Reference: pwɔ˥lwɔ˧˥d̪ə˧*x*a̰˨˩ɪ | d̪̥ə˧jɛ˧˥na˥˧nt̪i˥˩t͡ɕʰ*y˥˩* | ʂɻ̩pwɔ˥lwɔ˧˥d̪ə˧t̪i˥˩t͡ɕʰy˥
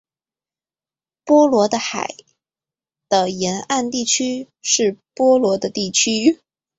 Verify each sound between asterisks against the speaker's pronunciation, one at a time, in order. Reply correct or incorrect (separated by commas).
correct, incorrect